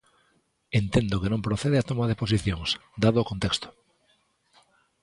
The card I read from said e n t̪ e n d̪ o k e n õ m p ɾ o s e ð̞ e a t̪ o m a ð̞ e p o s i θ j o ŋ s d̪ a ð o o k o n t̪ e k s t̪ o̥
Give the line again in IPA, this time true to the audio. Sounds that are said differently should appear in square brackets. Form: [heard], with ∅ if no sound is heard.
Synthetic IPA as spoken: e n t̪ e n d̪ o k e n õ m p ɾ o [θ] e ð̞ e a t̪ o m a ð̞ e p o s i θ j o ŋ s d̪ a ð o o k o n t̪ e k s t̪ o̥